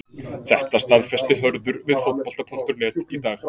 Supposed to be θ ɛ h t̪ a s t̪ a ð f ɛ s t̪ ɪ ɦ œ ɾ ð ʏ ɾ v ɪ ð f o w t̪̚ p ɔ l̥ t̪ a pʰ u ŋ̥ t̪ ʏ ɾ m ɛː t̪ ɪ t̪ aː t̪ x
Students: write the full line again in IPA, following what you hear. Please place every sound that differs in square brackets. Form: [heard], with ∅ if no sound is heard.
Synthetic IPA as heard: θ ɛ h t̪ a s t̪ a ð f ɛ s t̪ ɪ ɦ œ ɾ ð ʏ ɾ v ɪ ð f o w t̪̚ p ɔ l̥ t̪ a pʰ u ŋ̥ t̪ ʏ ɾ [n] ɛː t̪ [i] t̪ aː [∅] x